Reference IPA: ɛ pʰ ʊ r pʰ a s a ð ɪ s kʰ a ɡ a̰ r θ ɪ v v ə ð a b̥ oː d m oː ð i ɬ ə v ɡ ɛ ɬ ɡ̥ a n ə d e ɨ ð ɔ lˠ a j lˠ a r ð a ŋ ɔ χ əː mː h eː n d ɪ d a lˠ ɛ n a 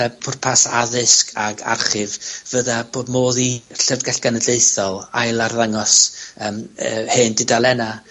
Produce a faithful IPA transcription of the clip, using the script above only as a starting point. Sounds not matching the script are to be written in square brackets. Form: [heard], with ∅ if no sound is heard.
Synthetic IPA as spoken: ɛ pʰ ʊ r pʰ a s a ð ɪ s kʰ a ɡ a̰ r [χ] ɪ v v ə ð a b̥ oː d m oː ð i ɬ ə v ɡ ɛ ɬ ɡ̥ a n ə d e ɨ [θ] ɔ lˠ a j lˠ a r ð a ŋ ɔ [s] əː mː h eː n d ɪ d a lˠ ɛ n a